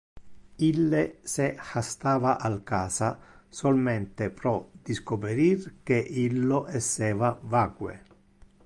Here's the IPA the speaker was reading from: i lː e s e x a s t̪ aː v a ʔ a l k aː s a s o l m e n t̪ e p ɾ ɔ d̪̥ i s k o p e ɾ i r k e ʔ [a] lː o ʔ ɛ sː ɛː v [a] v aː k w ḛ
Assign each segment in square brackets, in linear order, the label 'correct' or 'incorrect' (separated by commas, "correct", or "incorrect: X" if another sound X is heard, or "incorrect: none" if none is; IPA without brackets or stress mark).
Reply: incorrect: i, correct